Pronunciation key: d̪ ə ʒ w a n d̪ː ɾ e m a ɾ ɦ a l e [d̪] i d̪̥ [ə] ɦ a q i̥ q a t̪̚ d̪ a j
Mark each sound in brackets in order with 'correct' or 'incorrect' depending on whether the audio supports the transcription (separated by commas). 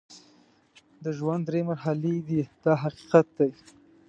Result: correct, incorrect